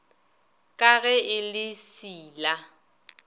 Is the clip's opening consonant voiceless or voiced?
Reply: voiceless